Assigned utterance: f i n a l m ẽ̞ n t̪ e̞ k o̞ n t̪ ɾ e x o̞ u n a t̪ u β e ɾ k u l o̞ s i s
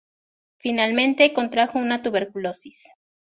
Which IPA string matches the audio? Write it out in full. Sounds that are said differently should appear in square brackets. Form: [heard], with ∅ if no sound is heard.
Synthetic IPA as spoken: f i n a l m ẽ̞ n t̪ e̞ k o̞ n t̪ ɾ [a] x o̞ u n a t̪ u β e ɾ k u l o̞ s i s